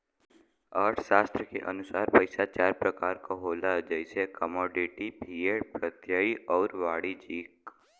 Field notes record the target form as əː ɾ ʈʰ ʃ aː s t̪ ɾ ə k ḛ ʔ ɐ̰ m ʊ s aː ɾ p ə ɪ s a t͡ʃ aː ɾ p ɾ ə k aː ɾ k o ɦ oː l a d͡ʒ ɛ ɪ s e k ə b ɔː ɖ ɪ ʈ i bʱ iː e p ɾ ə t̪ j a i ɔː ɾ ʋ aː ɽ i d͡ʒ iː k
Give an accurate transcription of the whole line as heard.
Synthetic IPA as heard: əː ɾ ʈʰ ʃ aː s t̪ ɾ ə k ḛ ʔ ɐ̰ n ʊ s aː ɾ p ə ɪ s a t͡ʃ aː ɾ p ɾ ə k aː ɾ k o ɦ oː l a d͡ʒ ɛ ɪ s e k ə m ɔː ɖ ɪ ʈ i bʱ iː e p ɾ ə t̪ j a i ɔː ɾ ʋ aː ɽ i d͡ʒ iː k